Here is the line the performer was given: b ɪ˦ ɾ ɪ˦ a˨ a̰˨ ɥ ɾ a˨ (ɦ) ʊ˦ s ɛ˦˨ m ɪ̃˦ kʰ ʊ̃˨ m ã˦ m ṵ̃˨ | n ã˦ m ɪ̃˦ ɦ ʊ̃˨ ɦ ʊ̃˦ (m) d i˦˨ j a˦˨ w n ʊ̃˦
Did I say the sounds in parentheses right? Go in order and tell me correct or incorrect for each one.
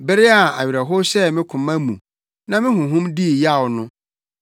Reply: correct, correct

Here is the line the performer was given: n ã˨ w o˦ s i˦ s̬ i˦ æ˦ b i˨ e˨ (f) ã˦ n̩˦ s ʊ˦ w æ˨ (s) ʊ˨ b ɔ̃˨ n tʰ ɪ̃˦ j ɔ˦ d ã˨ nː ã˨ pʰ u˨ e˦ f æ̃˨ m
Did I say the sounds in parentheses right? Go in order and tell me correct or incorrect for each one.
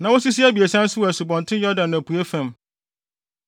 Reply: incorrect, correct

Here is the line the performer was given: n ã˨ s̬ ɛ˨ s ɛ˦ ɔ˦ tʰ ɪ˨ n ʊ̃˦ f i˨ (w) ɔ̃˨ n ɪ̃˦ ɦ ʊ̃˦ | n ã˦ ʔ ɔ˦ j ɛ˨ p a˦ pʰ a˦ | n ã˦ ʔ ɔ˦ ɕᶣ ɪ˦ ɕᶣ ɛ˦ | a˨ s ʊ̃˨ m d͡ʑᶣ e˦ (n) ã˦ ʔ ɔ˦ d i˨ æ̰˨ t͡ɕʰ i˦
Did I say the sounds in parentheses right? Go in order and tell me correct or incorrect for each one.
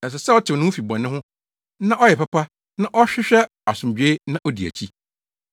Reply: incorrect, correct

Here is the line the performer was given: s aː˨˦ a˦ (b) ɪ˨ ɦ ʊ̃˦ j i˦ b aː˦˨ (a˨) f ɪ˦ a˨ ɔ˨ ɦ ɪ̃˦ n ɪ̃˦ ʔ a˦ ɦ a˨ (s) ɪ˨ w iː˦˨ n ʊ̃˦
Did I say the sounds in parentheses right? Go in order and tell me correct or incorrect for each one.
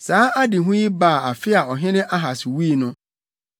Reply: incorrect, correct, correct

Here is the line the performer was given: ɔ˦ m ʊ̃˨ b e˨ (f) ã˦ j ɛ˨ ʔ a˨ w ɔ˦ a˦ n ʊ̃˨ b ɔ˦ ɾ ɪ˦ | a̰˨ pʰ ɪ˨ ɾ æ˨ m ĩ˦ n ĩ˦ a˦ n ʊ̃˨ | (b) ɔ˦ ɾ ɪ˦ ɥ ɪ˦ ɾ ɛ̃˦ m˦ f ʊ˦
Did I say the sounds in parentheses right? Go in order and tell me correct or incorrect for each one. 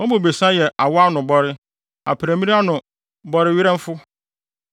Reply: incorrect, correct

